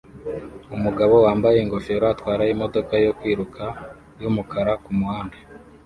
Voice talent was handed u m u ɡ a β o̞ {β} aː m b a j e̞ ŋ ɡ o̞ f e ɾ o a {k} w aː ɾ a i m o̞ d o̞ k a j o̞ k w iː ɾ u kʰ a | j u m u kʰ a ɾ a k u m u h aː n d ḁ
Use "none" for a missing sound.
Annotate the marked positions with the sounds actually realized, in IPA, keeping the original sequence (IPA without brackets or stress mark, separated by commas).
w, t